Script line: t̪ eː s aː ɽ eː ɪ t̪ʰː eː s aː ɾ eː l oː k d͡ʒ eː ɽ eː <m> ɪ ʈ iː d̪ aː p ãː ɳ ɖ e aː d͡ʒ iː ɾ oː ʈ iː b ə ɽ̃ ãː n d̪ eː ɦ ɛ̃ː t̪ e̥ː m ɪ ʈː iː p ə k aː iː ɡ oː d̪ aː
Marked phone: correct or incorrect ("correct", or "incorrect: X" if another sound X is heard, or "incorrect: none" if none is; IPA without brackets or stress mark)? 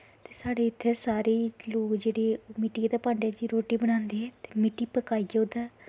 correct